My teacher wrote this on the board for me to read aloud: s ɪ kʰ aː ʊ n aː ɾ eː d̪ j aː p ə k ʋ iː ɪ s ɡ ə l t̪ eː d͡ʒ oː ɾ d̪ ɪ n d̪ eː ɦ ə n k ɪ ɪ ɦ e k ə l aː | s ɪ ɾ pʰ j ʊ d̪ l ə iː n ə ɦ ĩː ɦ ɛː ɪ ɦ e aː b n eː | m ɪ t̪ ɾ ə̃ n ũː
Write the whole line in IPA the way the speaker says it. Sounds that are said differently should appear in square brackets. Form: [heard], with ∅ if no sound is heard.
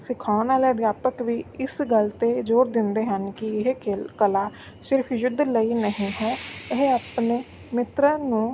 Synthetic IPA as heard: s ɪ kʰ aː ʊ n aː [l] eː d̪ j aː p ə k ʋ iː ɪ s ɡ ə l t̪ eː d͡ʒ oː ɾ d̪ ɪ n d̪ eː ɦ ə n k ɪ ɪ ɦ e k ə l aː | s ɪ ɾ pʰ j ʊ d̪ l ə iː n ə ɦ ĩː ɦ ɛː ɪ ɦ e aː [p] n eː | m ɪ t̪ ɾ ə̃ n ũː